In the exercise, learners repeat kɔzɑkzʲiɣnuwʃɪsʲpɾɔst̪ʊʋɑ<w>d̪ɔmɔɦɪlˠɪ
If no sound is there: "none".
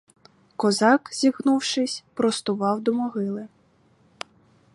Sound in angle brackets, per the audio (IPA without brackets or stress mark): w